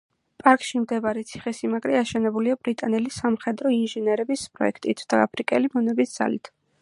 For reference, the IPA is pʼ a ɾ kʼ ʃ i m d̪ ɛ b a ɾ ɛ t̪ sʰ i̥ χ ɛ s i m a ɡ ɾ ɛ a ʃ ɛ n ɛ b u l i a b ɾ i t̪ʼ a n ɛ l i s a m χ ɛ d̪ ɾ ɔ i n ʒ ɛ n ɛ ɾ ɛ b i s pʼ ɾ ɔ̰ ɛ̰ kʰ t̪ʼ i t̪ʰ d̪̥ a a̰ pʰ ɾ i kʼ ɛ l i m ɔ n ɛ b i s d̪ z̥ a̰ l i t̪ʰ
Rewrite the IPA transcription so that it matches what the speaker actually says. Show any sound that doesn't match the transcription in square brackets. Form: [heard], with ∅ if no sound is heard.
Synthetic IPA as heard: pʼ a ɾ kʼ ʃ i m d̪ ɛ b a ɾ ɛ t̪ sʰ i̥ χ ɛ s i m a ɡ ɾ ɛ a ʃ ɛ n ɛ b u l i a b ɾ i t̪ʼ a n ɛ l i s a m χ ɛ d̪ ɾ ɔ i n ʒ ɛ n ɛ ɾ ɛ b i s pʼ ɾ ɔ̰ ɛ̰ kʰ t̪ʼ i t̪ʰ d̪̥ a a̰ pʰ ɾ i kʼ ɛ l i m ɔ n ɛ b i s d̪ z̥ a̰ l i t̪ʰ